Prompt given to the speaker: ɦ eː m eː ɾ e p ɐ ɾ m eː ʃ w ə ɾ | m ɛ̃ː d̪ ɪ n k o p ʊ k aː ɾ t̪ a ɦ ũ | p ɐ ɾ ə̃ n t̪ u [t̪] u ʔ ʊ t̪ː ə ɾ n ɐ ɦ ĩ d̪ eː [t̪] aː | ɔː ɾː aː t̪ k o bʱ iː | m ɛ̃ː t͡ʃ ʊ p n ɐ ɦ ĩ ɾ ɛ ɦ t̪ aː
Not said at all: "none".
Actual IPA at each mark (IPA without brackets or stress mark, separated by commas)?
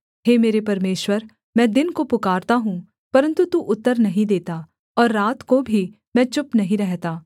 t̪, t̪